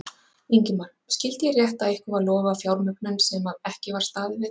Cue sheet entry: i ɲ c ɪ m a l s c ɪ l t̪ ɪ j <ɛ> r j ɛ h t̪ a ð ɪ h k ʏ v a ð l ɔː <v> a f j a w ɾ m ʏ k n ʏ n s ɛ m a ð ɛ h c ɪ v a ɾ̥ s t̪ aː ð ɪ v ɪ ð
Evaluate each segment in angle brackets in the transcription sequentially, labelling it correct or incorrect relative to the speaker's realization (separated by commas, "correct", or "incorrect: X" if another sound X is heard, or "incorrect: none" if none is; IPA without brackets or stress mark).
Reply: correct, correct